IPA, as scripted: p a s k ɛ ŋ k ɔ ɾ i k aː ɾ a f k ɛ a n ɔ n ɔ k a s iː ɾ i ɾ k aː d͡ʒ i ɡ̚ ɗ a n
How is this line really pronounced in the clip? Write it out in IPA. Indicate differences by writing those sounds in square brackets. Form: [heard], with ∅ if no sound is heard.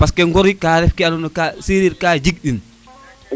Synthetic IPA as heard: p a s k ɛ ŋ [ɡ] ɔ ɾ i k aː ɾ [ɛ] f k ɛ a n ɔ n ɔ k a s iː ɾ i ɾ k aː d͡ʒ i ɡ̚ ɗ [i] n